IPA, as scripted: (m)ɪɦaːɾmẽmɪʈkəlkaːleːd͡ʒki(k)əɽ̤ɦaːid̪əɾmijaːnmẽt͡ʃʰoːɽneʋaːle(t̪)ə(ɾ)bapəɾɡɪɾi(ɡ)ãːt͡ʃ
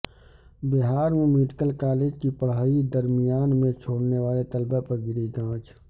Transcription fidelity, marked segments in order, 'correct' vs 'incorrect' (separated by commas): incorrect, incorrect, correct, incorrect, correct